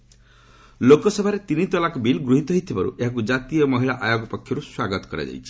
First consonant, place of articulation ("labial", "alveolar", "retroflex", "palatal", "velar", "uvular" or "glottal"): alveolar